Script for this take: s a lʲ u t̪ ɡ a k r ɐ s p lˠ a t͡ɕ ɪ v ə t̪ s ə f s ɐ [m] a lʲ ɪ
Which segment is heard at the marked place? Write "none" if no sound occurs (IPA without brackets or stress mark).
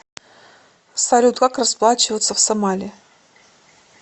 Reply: m